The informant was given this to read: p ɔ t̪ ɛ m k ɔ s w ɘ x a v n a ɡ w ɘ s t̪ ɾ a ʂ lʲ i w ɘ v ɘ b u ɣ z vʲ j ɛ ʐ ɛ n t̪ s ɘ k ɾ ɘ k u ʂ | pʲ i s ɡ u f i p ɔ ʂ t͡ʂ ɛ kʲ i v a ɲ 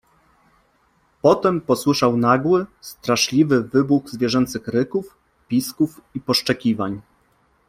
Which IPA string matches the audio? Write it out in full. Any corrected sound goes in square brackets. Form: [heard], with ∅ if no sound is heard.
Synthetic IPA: p ɔ t̪ ɛ m [p] ɔ s w ɘ [ʂ] a [w] n a ɡ w ɘ s t̪ ɾ a ʂ lʲ i [v] ɘ v ɘ b u ɣ z vʲ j ɛ ʐ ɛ n t̪ s ɘ [x] ɾ ɘ k u [f] | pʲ i s [k] u f i p ɔ ʂ t͡ʂ ɛ kʲ i v a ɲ